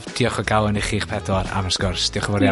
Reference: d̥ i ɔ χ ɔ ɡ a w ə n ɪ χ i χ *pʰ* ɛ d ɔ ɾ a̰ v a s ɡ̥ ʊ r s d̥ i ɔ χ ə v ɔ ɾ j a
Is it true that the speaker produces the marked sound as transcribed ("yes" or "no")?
yes